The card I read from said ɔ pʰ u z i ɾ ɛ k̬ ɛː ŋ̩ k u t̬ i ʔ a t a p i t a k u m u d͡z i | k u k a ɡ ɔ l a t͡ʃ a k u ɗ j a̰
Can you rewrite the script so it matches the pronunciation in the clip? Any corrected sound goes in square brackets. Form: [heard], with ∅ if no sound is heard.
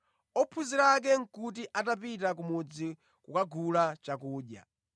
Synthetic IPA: ɔ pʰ u z i ɾ [a] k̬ [ɛ] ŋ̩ k u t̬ i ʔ a t a p i t a k u m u d͡z i | k u k a ɡ [u] l a t͡ʃ a k [uː] ɗ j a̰